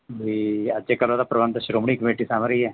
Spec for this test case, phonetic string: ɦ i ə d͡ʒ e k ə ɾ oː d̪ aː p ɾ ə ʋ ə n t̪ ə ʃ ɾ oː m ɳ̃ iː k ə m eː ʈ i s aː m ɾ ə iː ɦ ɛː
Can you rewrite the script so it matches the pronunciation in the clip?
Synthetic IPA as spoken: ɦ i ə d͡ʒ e k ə l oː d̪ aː p ɾ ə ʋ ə n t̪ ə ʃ ɾ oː m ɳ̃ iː k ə m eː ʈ i s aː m ɾ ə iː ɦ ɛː